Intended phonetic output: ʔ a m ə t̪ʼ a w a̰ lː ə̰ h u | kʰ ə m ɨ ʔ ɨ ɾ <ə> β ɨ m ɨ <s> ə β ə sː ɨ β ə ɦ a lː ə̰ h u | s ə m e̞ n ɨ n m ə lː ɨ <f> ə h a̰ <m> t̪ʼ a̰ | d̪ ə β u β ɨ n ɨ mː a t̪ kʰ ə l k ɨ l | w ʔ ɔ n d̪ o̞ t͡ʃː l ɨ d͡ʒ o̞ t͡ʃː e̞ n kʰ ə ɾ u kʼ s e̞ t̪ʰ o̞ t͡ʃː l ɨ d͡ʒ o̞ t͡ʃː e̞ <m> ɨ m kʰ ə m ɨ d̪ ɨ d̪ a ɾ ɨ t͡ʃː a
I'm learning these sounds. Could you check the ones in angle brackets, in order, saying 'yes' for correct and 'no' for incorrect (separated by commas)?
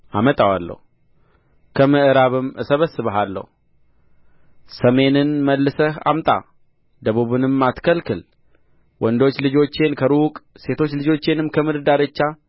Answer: no, yes, no, yes, no